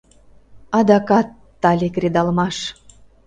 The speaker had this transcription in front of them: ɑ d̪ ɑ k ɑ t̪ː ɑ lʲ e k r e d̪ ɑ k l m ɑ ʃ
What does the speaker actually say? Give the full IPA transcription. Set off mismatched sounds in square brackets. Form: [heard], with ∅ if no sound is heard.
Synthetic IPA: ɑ d̪ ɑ k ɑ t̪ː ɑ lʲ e k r e d̪ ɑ [∅] l m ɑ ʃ